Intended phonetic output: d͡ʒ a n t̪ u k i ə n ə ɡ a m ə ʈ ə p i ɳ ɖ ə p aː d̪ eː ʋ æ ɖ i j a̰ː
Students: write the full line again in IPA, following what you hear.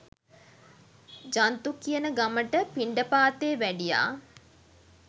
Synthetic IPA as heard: d͡ʒ a n t̪ u k i ə n ə ɡ a m ə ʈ ə p i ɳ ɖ ə p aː t̪ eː ʋ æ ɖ i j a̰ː